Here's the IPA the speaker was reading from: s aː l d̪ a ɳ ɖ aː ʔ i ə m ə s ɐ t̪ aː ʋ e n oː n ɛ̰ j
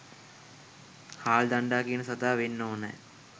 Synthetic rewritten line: h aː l d̪ a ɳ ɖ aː k i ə n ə s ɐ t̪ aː ʋ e nː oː n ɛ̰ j